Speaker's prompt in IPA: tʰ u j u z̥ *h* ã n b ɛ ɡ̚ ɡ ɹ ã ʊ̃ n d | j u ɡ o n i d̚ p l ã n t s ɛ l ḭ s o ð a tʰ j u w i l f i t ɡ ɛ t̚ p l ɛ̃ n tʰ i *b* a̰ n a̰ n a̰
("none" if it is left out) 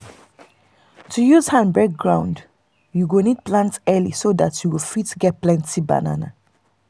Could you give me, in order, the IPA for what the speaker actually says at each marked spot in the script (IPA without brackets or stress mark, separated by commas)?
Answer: h, b